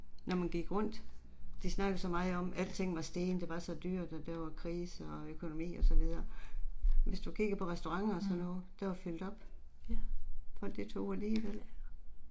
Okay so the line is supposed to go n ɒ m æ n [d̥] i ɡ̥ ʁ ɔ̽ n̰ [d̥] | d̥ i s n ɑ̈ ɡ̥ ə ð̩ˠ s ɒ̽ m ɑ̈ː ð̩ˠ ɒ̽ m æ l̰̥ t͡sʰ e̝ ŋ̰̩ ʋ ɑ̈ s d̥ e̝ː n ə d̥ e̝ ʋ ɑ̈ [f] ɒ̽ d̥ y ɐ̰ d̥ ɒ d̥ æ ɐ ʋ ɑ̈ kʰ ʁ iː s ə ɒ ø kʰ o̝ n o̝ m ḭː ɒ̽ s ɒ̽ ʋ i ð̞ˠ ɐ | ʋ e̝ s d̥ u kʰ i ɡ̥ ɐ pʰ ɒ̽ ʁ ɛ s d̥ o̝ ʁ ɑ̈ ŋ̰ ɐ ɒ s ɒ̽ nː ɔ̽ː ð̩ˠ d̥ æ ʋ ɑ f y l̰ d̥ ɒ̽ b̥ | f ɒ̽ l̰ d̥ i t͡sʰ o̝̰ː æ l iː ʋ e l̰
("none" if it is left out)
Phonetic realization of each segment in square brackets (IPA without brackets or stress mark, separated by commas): ɡ̥, d̥, s